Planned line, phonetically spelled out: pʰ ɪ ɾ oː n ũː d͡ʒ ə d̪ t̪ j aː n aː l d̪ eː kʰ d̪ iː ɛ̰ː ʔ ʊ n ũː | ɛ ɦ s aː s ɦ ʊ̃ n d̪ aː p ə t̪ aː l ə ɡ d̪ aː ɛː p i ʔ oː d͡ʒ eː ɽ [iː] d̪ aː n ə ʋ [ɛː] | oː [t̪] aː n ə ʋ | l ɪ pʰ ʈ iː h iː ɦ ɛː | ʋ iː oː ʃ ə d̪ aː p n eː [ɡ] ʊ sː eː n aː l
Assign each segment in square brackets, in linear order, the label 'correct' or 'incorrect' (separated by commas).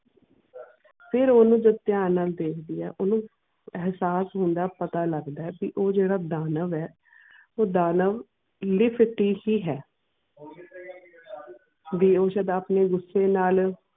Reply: incorrect, correct, incorrect, correct